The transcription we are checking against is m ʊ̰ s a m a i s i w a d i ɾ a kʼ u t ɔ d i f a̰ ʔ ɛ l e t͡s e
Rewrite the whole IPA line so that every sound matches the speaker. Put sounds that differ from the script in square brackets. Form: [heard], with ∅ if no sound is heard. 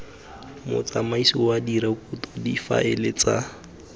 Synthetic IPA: m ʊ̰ [t͡s] a m a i s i w a d i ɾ a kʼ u t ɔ d i f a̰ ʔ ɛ l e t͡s [a]